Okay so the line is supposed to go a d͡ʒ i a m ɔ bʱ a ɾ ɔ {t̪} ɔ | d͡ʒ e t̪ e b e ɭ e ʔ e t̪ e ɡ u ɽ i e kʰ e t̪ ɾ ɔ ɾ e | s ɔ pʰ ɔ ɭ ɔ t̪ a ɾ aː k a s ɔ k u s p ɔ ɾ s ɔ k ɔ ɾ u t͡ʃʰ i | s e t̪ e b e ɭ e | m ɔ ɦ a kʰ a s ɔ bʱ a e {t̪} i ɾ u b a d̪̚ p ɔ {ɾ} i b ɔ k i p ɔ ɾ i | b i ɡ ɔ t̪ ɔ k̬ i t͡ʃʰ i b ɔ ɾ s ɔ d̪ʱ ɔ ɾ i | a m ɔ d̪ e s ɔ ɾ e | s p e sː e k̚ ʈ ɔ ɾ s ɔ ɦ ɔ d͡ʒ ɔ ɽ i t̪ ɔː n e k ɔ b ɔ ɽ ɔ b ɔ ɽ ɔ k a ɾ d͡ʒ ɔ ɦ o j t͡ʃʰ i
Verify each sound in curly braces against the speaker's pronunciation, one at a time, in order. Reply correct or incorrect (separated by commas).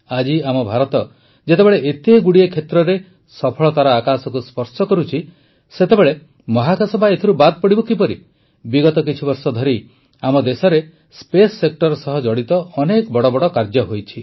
correct, incorrect, incorrect